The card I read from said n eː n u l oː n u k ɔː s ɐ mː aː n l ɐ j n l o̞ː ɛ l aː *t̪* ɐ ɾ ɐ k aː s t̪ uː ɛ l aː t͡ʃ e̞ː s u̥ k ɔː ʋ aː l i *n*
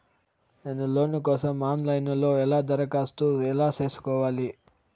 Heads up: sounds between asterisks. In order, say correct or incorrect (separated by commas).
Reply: incorrect, incorrect